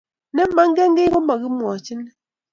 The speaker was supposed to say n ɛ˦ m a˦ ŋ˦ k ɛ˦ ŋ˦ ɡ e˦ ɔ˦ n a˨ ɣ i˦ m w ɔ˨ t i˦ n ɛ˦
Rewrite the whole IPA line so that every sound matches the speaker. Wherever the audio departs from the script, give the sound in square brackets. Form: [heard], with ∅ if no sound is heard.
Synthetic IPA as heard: n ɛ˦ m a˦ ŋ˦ [ɡ] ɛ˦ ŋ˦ ɡ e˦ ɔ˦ [m] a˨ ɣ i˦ m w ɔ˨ [t͡ʃ] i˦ n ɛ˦